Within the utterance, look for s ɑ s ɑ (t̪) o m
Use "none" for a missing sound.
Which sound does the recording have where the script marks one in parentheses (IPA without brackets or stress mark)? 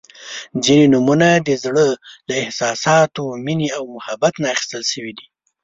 t̪